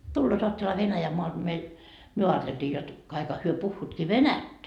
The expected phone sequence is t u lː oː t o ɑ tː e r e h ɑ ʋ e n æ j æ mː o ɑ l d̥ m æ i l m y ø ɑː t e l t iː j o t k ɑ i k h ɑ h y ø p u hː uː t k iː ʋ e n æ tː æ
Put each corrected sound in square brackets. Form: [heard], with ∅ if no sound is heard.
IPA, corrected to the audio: t u lː oː t o ɑ tː e [l] e h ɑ ʋ e n æ j æ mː o ɑ l d̥ m [e] i l m y ø ɑː t e l t iː j o t k ɑ i k h ɑ h y ø p u hː uː t k iː ʋ e n æ tː æ